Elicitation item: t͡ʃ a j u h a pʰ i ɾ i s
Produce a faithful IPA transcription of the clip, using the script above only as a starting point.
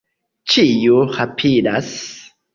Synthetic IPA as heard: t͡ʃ i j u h a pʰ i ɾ a s